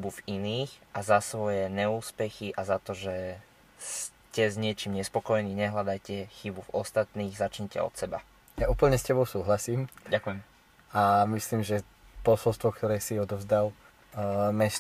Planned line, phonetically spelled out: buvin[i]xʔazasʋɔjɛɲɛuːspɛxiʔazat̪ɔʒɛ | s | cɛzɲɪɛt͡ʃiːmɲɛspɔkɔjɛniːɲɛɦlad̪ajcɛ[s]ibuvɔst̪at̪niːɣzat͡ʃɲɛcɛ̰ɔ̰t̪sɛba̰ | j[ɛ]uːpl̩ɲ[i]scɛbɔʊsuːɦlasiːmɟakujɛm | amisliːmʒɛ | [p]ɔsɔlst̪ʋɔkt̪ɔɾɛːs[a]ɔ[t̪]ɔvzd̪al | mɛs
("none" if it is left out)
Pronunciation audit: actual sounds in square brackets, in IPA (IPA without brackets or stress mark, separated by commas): iː, x, a, ɛ, p, i, d̪